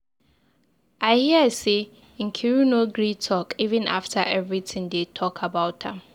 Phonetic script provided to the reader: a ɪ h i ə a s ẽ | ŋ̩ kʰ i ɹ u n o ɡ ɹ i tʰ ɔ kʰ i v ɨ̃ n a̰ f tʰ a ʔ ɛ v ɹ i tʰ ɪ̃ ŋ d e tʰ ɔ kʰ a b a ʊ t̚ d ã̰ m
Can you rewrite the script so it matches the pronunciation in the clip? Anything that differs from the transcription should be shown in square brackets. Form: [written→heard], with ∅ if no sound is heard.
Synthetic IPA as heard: a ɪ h i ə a s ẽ | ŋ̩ kʰ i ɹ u n o ɡ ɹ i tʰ ɔ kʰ i v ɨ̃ n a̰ f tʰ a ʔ ɛ v ɹ i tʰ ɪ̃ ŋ d e tʰ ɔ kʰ a b a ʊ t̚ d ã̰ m